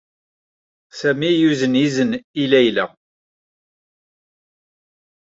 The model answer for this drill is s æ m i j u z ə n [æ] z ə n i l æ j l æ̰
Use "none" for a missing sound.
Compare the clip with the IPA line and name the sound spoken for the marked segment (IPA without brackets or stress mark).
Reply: i